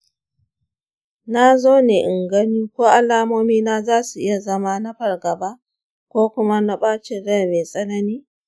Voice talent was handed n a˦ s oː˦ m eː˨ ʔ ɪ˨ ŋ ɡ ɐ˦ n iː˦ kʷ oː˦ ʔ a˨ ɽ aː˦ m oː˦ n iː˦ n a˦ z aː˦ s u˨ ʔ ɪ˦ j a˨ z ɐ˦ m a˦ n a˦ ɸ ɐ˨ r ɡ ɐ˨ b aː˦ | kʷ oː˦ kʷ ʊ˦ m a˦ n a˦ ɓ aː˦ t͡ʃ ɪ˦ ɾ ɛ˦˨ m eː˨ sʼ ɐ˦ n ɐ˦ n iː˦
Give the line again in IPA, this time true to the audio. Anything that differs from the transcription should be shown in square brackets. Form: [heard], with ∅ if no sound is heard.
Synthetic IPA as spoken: n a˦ [z] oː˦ [n] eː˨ ʔ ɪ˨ ŋ ɡ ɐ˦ n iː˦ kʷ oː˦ ʔ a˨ [l] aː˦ m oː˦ [m] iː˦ n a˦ z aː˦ s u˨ ʔ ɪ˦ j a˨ z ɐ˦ m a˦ n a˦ ɸ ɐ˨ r ɡ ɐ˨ b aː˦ | kʷ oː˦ kʷ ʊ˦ m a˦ n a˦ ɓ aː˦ t͡ʃ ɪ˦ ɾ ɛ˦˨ m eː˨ sʼ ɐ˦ n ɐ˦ n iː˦